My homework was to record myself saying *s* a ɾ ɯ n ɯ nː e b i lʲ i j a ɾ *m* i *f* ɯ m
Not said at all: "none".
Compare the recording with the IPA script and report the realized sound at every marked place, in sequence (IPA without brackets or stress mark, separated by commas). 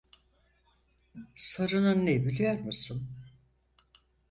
s, m, s